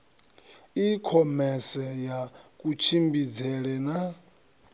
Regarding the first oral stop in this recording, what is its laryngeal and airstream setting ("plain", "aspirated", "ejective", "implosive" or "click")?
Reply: aspirated